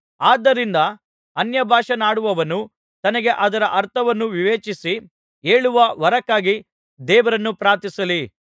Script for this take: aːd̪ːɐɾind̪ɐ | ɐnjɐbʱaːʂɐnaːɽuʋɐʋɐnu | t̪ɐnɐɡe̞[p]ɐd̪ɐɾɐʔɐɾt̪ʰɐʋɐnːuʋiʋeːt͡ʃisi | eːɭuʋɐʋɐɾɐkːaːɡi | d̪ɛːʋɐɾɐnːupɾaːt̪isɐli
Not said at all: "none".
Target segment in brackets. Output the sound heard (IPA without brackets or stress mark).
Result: ʔ